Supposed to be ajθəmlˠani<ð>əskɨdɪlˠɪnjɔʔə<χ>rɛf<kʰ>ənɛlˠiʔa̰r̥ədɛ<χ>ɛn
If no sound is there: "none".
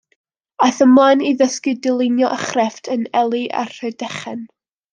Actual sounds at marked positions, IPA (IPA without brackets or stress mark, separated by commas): ð, χ, tʰ, χ